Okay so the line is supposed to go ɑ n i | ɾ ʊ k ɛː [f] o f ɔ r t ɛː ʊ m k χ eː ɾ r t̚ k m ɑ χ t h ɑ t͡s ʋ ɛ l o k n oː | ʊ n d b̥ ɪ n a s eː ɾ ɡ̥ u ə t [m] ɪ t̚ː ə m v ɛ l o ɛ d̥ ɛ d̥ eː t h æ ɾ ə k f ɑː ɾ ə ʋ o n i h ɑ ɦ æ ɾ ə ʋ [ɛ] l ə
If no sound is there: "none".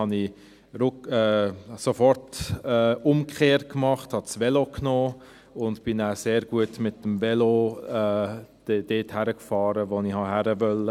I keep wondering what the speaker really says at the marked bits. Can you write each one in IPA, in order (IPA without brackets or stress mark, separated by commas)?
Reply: s, m, œ